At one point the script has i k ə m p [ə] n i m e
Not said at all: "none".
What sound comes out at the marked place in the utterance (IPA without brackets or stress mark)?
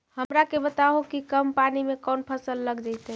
a